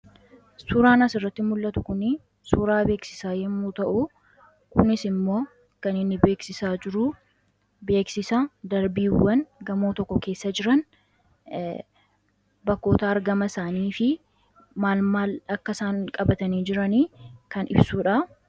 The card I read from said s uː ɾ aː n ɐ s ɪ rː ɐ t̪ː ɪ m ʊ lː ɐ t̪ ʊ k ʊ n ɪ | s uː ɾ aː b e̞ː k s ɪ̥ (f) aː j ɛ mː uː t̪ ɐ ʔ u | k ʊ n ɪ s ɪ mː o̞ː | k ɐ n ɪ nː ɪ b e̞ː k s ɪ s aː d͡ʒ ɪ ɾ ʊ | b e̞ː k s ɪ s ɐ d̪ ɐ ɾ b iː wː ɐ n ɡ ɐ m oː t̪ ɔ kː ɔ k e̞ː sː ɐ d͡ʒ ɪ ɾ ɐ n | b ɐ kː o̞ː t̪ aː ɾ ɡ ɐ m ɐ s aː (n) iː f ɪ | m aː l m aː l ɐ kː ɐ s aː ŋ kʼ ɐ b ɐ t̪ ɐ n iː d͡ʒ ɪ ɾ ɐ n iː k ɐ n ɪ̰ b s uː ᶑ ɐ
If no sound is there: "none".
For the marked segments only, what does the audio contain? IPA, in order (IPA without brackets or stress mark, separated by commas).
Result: s, n